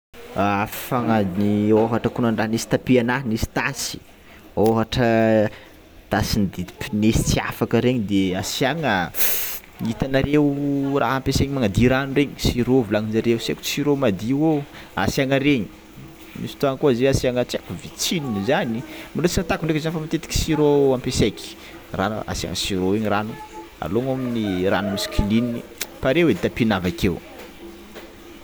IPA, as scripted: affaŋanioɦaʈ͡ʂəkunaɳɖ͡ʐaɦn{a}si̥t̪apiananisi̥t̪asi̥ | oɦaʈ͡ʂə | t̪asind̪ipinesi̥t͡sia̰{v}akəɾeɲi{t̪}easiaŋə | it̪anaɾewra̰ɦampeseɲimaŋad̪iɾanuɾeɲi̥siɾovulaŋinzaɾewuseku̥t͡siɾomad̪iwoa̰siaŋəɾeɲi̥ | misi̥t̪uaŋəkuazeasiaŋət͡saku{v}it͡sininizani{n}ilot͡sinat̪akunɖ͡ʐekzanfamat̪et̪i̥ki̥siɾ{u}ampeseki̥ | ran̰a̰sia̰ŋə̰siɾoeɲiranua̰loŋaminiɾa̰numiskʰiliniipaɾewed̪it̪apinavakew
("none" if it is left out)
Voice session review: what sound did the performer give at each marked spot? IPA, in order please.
i, f, d̪, v, m, o

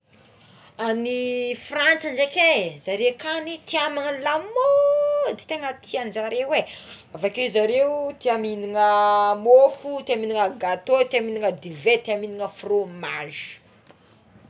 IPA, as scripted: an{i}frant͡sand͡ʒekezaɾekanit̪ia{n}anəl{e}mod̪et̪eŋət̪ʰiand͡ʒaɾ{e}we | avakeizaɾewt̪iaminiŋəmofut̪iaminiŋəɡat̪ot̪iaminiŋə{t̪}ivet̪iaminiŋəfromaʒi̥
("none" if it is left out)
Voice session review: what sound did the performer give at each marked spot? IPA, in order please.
i, m, a, e, d̪

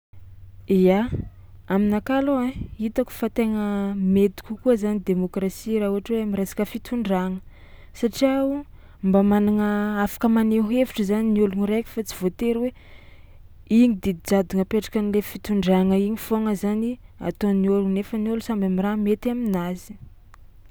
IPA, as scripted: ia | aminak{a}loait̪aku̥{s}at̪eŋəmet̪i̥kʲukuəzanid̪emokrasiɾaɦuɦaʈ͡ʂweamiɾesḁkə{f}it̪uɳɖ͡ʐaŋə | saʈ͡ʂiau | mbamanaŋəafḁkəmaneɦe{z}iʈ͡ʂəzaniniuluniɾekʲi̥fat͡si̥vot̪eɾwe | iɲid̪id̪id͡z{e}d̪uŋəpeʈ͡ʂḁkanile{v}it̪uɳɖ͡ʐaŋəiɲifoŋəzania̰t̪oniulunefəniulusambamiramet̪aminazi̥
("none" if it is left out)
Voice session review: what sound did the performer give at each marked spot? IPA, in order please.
a, f, f, v, a, f

